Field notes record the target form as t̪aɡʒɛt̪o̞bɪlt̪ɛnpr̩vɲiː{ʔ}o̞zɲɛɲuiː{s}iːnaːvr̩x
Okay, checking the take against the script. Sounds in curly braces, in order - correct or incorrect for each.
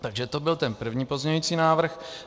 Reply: incorrect: p, incorrect: t͡s

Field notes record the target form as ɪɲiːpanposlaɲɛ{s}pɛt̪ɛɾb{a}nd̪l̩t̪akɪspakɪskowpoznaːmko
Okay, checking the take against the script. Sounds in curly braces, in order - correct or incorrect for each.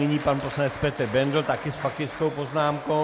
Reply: incorrect: t͡s, incorrect: ɛ

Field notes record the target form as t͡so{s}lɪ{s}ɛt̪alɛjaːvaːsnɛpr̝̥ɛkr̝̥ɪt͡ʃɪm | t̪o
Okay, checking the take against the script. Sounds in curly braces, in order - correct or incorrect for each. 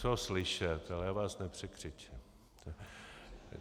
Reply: correct, incorrect: ʃ

